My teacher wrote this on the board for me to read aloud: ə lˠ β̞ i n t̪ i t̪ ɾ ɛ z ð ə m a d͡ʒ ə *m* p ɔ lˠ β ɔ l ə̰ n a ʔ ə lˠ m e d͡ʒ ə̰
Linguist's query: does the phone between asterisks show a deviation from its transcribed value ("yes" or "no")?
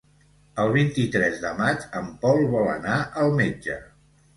no